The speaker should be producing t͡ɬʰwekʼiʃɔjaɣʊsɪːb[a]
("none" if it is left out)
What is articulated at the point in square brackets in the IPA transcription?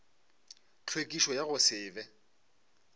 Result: ɛ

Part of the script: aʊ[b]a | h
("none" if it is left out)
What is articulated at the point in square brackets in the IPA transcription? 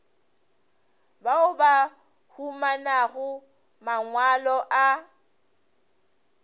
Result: b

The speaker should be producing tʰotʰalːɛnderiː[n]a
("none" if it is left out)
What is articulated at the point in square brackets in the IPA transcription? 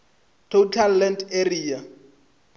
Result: none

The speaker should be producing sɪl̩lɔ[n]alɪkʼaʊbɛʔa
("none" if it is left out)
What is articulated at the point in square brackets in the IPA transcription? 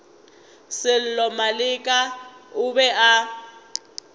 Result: m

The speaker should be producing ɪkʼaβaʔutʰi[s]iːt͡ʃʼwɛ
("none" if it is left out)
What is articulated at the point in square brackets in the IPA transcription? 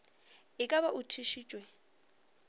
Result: ʃ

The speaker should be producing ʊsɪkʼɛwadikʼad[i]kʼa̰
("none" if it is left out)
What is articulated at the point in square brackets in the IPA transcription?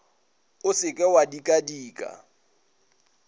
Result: iː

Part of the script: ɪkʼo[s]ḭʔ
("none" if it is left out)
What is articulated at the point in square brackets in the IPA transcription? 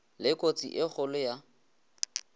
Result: t͡s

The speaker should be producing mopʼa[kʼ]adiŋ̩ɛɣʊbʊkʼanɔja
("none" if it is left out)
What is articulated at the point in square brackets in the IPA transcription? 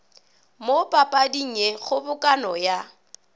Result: pʼ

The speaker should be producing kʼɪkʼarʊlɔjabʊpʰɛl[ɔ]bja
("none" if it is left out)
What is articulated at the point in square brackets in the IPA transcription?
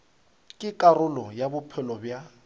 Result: ɔ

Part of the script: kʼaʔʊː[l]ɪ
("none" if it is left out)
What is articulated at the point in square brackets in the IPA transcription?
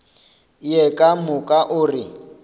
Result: r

